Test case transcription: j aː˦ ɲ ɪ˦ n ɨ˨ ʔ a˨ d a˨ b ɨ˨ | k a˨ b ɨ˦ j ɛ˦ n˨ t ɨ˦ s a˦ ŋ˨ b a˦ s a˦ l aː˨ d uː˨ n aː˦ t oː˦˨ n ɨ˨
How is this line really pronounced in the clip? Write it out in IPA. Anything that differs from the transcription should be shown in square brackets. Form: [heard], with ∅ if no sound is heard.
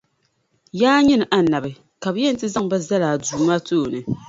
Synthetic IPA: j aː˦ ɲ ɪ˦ n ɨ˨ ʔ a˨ [n] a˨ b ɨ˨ | k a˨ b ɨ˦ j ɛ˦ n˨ t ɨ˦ [z] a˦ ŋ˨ b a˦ [z] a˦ l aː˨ d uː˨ [m] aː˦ t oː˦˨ n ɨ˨